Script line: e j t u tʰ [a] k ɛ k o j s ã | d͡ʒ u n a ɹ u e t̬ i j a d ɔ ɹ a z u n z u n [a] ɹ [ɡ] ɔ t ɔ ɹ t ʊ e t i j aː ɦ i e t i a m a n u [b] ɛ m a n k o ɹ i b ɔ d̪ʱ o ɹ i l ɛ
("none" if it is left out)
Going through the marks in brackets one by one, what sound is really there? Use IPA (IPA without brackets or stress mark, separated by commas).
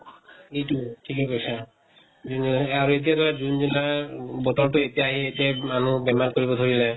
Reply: i, a, b, b